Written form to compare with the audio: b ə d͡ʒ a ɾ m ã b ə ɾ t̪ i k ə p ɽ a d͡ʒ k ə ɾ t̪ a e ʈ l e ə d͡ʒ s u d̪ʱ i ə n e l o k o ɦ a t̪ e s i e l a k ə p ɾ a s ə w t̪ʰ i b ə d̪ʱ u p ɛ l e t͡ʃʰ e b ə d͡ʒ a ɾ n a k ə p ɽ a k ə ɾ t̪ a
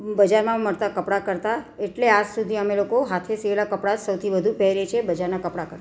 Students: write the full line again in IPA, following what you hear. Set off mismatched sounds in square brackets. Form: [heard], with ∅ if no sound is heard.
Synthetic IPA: b ə d͡ʒ a ɾ m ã [m] ə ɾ t̪ [a] k ə p ɽ a [∅] k ə ɾ t̪ a e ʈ l e [a] d͡ʒ s u d̪ʱ i ə [m] e l o k o ɦ a [t̪ʰ] e s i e l a k ə p [ɽ] a s ə w t̪ʰ i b ə d̪ʱ u p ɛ [ɾ] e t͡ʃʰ e b ə d͡ʒ a ɾ n a k ə p ɽ a k ə ɾ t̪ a